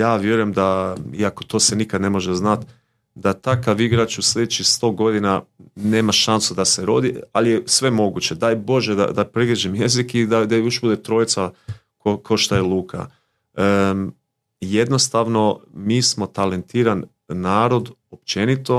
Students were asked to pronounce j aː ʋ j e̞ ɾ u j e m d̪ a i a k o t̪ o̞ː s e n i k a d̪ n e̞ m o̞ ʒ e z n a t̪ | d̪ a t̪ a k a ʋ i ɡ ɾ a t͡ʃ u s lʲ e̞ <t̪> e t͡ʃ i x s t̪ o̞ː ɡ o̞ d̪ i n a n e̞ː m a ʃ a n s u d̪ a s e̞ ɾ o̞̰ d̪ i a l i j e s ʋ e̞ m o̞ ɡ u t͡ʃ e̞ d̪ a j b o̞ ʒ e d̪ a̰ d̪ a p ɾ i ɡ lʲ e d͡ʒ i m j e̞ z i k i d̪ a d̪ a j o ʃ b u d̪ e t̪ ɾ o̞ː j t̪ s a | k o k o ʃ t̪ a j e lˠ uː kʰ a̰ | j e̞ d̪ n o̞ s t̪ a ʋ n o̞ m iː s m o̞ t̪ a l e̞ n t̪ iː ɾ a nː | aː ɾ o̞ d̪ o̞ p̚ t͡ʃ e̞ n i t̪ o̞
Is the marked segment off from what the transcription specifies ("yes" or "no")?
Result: yes